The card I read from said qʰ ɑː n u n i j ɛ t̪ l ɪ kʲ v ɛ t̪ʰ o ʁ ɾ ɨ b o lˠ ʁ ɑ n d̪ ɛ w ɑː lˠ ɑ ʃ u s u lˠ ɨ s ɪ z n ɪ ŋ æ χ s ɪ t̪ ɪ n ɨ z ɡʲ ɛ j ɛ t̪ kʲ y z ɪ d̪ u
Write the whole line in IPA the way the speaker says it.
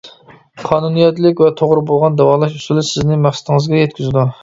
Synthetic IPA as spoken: qʰ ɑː n u n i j ɛ t̪ l ɪ kʲ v ɛ t̪ʰ o ʁ ɾ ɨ b o lˠ ʁ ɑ n d̪ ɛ w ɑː lˠ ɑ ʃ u s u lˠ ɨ s ɪ z n ɪ m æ χ s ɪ t̪ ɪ ŋ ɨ z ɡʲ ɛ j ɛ t̪ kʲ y z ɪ d̪ u